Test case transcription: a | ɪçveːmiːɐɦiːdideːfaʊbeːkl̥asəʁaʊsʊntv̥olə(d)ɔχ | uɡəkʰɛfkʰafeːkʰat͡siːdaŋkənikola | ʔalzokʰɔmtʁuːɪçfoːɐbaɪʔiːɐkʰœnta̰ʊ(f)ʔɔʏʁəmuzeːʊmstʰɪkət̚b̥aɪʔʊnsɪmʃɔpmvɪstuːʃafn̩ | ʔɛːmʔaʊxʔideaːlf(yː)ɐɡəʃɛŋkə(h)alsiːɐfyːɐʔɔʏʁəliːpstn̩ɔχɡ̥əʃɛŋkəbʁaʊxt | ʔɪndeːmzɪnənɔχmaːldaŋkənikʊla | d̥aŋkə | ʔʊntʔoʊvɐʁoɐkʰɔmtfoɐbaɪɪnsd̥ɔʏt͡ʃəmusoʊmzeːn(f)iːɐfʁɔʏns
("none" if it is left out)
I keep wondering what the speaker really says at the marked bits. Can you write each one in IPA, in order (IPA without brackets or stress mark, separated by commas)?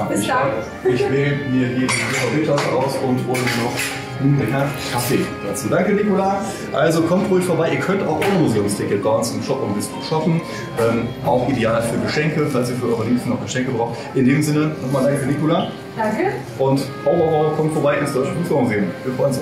n, x, yː, f, v